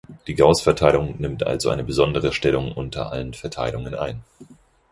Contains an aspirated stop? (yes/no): yes